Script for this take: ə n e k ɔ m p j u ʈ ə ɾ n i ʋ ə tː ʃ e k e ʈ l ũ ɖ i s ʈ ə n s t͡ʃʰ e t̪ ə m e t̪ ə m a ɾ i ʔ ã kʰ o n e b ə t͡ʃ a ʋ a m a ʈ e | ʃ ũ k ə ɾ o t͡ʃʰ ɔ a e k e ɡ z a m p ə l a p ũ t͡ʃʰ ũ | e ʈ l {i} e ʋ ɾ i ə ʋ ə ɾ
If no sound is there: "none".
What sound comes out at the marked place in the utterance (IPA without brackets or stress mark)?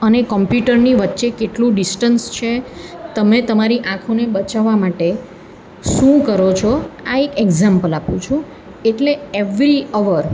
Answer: e